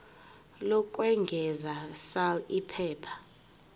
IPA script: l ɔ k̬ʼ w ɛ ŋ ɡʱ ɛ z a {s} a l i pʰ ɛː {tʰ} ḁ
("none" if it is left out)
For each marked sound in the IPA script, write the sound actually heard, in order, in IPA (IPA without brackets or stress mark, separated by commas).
s, pʰ